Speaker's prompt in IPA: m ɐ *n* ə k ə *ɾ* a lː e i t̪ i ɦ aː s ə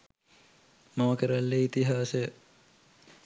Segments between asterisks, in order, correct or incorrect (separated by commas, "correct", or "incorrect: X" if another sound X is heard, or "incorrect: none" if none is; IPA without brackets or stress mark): incorrect: m, correct